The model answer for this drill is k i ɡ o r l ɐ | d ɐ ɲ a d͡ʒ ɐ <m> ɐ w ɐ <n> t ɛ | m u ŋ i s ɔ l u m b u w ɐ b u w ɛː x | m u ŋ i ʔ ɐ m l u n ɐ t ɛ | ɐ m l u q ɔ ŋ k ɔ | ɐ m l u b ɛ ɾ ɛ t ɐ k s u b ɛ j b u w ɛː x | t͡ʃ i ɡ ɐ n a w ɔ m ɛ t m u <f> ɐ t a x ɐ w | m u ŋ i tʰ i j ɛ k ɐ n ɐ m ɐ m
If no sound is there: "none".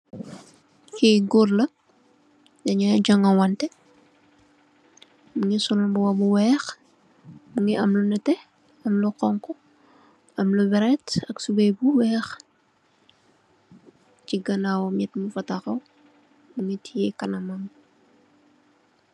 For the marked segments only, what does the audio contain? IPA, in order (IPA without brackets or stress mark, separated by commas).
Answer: ŋ, n, f